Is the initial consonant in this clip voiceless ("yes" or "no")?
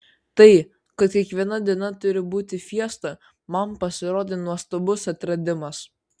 yes